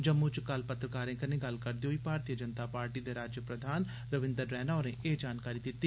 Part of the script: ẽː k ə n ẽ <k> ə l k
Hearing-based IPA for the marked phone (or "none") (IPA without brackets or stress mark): ɡ